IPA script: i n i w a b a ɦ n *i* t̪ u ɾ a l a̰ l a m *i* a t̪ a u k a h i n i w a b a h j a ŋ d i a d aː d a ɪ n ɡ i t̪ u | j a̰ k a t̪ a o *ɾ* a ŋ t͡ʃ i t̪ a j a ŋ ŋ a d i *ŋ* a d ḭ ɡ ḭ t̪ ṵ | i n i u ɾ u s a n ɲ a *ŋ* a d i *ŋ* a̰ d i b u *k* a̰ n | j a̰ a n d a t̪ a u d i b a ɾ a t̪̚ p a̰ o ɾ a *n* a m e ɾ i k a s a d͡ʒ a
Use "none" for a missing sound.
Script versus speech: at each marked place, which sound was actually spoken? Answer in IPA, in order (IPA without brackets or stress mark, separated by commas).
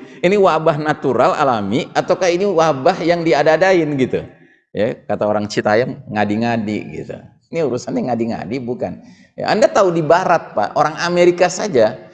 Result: a, i, ɾ, ŋ, ŋ, ŋ, k, ŋ